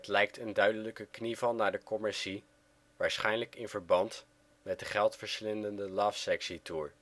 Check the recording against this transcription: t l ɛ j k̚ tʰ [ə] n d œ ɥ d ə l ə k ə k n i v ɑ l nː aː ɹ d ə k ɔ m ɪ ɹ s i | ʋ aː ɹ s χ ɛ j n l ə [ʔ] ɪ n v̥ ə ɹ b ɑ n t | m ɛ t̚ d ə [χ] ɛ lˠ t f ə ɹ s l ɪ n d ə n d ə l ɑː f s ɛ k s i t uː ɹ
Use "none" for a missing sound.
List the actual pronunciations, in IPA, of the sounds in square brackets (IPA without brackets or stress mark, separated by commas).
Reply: ə, k, χ